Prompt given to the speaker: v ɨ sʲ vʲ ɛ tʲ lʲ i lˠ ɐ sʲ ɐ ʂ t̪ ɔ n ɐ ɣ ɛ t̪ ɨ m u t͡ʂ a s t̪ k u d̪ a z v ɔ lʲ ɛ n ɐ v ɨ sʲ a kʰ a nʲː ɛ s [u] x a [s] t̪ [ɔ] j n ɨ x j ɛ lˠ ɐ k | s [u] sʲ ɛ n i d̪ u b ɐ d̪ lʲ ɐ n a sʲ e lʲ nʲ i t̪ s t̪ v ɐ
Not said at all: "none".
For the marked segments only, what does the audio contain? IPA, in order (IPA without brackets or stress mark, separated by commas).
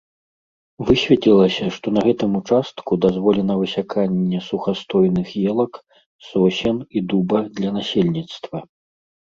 u, s, ɔ, ɔ